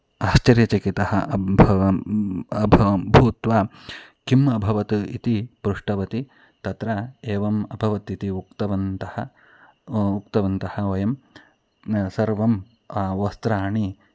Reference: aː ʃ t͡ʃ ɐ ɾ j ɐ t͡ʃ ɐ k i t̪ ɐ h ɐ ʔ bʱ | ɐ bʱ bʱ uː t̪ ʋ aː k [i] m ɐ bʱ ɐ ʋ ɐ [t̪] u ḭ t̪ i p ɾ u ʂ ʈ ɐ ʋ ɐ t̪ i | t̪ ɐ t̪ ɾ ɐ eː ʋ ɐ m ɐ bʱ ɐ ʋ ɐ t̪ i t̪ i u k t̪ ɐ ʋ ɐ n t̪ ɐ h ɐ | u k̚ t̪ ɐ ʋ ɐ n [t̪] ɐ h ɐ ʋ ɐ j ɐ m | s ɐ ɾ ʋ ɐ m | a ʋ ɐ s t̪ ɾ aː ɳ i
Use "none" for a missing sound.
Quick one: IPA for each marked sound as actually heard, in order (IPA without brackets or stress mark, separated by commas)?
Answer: i, t̪, t̪